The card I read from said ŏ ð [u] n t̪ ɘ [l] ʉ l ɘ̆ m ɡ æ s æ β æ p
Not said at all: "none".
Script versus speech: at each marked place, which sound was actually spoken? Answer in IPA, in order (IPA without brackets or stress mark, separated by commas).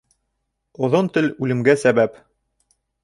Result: o, l